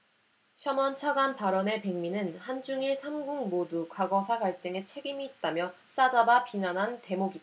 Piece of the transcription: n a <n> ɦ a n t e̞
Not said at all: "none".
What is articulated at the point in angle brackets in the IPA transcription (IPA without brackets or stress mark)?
n